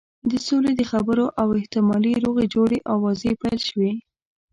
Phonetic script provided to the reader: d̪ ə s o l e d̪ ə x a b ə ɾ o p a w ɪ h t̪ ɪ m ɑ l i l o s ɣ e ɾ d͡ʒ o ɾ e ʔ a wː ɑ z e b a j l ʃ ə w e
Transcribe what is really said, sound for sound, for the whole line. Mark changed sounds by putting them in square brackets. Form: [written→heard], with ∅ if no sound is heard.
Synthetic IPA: d̪ ə s o l e d̪ ə x a b ə ɾ o [p→ʔ] a w ɪ h t̪ ɪ m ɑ l i [l→ɾ] o [s→∅] ɣ e [ɾ→∅] d͡ʒ o [ɾ→ɽ] e ʔ a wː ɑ z e [b→p] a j l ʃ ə w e